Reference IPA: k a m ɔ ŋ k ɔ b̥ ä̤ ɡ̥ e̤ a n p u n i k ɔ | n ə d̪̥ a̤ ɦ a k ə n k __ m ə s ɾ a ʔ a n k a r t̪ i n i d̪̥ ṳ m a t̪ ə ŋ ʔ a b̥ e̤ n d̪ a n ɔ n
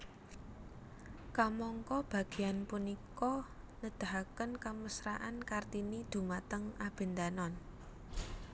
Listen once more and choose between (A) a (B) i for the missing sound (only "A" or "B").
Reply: A